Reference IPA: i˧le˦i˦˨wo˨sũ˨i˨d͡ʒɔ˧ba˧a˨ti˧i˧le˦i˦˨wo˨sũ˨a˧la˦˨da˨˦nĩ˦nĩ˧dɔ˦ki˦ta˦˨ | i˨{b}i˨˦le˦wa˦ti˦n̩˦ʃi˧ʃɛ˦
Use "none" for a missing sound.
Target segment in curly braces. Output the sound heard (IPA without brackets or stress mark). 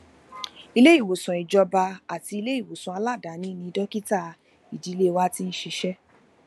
d